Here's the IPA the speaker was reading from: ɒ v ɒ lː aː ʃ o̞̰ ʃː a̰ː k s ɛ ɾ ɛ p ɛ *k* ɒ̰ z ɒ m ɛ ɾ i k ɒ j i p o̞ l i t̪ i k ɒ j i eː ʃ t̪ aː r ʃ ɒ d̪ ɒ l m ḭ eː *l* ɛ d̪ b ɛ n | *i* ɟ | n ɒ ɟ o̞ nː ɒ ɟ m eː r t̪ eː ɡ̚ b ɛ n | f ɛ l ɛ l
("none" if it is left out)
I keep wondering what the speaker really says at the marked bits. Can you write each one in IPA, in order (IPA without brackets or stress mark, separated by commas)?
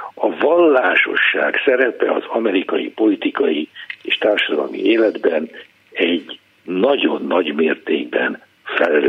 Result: none, l, ɛ